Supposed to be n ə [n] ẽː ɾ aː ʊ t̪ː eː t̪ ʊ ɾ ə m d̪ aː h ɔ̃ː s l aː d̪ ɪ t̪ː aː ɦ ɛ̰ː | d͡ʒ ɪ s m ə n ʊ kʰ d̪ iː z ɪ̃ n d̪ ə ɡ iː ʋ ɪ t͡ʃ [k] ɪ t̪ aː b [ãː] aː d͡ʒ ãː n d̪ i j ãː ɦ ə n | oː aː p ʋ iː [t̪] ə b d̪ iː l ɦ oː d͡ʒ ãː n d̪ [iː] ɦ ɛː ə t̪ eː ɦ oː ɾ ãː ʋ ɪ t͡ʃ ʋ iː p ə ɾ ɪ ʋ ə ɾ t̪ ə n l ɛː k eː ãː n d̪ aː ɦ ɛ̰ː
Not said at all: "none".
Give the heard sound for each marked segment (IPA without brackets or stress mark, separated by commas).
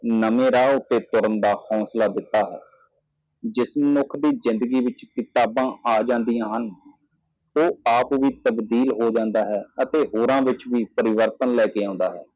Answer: m, k, ãː, t̪, aː